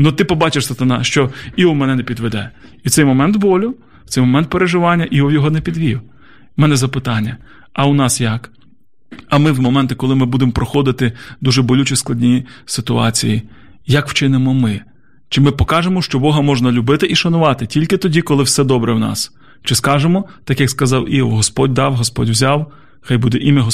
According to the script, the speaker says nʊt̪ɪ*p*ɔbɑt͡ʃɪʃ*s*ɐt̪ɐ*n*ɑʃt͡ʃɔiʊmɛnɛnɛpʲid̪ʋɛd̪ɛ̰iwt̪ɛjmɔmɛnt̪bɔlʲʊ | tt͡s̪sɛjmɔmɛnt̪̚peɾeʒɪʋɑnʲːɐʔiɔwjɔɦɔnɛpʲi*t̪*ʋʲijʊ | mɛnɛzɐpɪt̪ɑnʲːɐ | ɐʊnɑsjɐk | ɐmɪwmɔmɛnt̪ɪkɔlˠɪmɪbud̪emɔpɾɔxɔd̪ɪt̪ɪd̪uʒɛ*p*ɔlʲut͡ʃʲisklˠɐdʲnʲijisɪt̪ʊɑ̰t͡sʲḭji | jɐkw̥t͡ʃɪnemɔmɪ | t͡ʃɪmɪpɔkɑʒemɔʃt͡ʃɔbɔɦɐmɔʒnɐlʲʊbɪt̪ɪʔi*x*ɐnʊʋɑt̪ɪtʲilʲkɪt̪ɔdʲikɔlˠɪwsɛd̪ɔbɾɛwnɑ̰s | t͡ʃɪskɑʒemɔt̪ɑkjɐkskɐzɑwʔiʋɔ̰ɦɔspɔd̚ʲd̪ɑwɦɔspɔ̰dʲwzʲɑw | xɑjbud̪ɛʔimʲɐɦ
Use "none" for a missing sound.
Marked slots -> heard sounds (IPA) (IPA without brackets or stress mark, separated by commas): p, s, n, d̪, b, ʃ